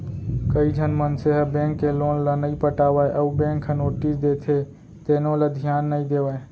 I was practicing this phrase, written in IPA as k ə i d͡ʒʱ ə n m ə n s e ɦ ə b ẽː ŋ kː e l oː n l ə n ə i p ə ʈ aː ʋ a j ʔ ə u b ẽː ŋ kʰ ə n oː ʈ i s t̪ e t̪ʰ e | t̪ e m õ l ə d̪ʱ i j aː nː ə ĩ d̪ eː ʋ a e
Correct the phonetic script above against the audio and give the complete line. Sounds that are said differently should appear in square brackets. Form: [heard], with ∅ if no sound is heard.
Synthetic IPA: k ə i d͡ʒʱ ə n m ə n s e ɦ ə b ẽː ŋ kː e l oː n l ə n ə i p ə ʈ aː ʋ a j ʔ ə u b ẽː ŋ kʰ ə n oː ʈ i s [d̪] e t̪ʰ e | t̪ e [n] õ l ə d̪ʱ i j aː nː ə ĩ d̪ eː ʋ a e